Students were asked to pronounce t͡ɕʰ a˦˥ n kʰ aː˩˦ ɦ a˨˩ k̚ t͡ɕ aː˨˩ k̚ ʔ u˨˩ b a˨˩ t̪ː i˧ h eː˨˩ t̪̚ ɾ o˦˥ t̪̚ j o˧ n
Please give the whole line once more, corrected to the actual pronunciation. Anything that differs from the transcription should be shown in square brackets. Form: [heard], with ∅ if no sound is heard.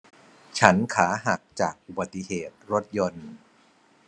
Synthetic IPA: t͡ɕʰ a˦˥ n kʰ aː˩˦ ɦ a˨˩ k̚ t͡ɕ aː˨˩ k̚ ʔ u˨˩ b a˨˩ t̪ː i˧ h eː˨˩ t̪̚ ɾ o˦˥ t̪̚ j o˧ n

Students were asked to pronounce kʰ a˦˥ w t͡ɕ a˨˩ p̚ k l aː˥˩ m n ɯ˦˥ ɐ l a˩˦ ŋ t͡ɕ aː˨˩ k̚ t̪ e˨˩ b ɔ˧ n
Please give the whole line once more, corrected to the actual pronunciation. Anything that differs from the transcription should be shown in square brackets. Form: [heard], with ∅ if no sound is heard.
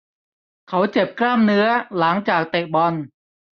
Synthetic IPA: kʰ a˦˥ w t͡ɕ [e˨˩] p̚ k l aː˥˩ m n ɯ˦˥ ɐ l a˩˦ ŋ t͡ɕ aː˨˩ k̚ t̪ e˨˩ b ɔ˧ n

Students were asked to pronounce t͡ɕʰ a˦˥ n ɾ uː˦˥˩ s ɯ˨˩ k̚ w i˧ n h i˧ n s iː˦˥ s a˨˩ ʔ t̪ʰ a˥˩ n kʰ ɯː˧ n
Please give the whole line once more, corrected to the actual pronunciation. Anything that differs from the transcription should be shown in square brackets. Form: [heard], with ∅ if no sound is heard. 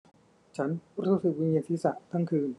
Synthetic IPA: t͡ɕʰ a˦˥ n ɾ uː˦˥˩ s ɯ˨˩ k̚ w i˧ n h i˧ n s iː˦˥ s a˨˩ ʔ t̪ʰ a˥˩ [ŋ] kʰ ɯː˧ n

